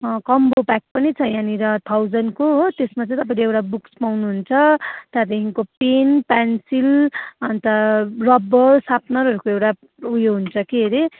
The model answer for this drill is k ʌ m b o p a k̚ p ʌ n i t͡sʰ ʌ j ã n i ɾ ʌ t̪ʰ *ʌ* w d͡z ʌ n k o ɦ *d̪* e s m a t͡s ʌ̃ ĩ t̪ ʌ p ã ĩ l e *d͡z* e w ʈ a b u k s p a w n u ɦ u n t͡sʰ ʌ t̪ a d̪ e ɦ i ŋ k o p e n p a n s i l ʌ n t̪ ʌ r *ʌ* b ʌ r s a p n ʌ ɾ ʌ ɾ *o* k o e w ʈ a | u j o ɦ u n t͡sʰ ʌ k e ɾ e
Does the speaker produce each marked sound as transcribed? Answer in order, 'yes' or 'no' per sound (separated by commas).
no, no, no, yes, no